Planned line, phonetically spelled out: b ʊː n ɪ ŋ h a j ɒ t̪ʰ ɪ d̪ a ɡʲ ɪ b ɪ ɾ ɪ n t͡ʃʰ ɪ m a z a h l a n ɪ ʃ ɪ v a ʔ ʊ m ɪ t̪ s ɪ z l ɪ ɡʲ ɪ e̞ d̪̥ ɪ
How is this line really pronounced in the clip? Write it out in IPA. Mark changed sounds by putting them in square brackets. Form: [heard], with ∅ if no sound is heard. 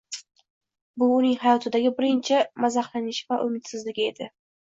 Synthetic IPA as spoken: b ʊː n ɪ ŋ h a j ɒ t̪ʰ ɪ d̪ a ɡʲ ɪ b ɪ ɾ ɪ n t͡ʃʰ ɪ m a z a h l a n ɪ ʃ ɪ v a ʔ ʊ m ɪ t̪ s ɪ z l ɪ ɡʲ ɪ e̞ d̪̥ ɪ